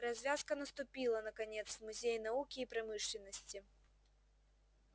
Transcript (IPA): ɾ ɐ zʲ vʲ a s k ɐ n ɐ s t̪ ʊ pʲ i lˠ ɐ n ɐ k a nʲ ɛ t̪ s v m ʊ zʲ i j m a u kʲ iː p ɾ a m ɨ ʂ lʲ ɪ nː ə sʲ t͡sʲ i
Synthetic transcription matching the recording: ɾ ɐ zʲ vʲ a s k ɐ n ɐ s t̪ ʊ pʲ i lˠ ɐ n ɐ k a nʲ ɛ t̪ s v m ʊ zʲ e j n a u kʲ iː p ɾ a m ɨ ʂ lʲ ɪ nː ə sʲ t͡sʲ i

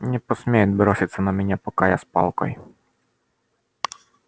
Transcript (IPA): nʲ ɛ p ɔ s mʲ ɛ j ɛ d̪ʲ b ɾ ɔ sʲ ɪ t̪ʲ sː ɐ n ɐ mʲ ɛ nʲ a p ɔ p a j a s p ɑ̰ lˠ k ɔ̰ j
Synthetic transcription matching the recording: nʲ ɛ p ɔ s mʲ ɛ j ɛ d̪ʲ b ɾ ɔ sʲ ɪ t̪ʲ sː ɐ n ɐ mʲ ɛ nʲ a p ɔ k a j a s p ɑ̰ lˠ k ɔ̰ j

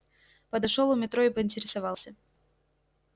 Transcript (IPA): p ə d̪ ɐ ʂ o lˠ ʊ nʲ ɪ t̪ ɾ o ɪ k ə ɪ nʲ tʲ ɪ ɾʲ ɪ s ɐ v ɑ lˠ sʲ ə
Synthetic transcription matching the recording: p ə d̪ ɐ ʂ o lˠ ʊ mʲ ɪ t̪ ɾ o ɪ p ə ɪ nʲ tʲ ɪ ɾʲ ɪ s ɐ v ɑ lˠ sʲ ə

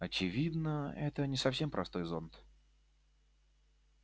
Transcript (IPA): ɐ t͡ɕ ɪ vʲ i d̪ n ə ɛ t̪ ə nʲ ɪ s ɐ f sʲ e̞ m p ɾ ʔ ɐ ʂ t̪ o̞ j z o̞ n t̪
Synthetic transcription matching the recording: ɐ t͡ɕ ɪ vʲ i d̪ n ə ɛ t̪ ə nʲ ɪ s ɐ f sʲ e̞ m p ɾ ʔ ɐ s t̪ o̞ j z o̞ n t̪

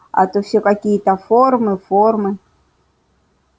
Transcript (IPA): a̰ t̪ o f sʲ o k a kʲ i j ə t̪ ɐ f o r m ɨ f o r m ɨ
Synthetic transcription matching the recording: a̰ t̪ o f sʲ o k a kʲ i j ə t̪ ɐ f o r m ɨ f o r m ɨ

